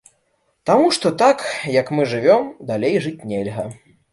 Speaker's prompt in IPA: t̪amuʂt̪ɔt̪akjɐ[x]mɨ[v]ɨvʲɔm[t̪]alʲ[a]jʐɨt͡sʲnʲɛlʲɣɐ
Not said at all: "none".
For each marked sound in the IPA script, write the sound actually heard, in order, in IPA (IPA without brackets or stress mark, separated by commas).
k, ʐ, d̪, e